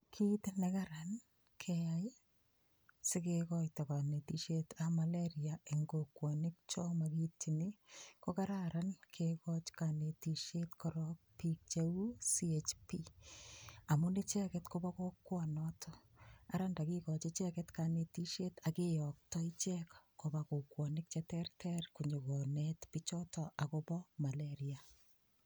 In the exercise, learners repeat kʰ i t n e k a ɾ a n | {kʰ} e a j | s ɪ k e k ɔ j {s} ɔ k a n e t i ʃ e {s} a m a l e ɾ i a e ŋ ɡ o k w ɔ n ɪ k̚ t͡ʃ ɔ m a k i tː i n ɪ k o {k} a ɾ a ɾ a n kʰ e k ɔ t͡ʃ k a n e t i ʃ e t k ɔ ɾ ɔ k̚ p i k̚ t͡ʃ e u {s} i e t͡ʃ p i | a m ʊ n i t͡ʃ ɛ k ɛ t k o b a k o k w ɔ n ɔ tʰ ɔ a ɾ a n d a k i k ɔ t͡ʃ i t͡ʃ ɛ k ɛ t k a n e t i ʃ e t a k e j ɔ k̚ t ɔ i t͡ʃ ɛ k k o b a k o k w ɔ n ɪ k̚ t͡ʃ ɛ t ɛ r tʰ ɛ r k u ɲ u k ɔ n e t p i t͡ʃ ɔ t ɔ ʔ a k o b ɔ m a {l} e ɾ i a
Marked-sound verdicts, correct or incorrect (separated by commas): correct, incorrect, incorrect, correct, correct, correct